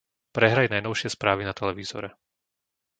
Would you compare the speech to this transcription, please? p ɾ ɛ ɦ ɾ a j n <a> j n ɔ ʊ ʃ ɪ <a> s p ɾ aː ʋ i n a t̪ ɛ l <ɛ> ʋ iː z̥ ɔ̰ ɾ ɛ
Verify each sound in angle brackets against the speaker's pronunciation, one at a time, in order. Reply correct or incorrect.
correct, incorrect: ɛ, correct

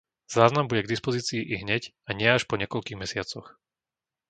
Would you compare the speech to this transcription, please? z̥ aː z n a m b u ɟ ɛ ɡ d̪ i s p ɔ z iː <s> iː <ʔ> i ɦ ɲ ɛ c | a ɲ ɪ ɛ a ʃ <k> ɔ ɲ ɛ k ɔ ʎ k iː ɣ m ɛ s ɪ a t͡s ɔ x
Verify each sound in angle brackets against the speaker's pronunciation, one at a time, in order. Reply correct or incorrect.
incorrect: t͡s, correct, incorrect: p

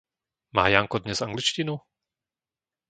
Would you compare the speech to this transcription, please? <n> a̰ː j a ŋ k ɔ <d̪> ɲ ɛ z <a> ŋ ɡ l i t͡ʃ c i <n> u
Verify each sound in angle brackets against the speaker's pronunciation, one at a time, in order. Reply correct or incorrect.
incorrect: m, correct, correct, correct

